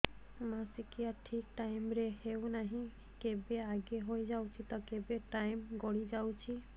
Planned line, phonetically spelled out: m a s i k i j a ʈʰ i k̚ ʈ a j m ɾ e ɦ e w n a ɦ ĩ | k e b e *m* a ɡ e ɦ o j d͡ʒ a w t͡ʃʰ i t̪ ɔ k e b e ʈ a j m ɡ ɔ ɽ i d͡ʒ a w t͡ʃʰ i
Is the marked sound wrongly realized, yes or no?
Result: yes